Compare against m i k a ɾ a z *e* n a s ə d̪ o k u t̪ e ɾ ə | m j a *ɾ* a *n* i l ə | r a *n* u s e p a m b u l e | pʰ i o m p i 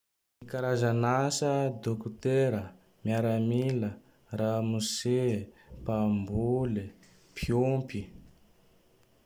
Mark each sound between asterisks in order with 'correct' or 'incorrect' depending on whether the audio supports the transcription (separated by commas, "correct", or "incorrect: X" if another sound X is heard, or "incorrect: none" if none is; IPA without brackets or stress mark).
incorrect: a, correct, incorrect: m, incorrect: m